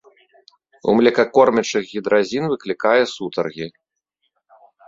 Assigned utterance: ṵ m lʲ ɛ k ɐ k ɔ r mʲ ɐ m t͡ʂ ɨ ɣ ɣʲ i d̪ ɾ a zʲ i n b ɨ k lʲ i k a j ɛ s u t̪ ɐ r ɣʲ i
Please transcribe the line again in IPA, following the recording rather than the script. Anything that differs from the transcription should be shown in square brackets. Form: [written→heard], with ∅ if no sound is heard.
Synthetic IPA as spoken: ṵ m lʲ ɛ k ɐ k ɔ r mʲ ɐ [m→∅] t͡ʂ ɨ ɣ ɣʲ i d̪ ɾ a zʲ i n [b→v] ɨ k lʲ i k a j ɛ s u t̪ ɐ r ɣʲ i